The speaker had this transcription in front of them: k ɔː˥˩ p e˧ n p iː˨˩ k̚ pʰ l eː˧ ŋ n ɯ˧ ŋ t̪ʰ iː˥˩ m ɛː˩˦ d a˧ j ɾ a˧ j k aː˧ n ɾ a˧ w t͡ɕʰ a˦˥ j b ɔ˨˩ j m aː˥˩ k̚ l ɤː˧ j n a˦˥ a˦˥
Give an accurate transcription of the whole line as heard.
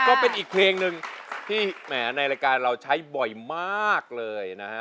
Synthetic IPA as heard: k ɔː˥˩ p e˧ n ʔ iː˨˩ k̚ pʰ l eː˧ ŋ n ɯ˧ ŋ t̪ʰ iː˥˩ m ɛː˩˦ n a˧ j ɾ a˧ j k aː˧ n ɾ a˧ w t͡ɕʰ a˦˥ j b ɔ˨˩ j m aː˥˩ k̚ l ɤː˧ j n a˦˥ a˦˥